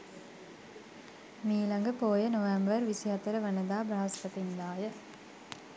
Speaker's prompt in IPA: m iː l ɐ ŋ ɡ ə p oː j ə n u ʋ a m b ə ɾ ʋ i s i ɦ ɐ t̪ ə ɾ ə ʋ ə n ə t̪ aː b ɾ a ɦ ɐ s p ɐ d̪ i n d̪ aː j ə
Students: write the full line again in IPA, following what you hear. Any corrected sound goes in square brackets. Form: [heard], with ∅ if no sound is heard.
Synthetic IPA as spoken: m iː l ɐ ŋ ɡ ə p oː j ə n [o] ʋ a m b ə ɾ ʋ i s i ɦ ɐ t̪ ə ɾ ə ʋ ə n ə [d̪] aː b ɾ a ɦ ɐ s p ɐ [t̪] i n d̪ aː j ə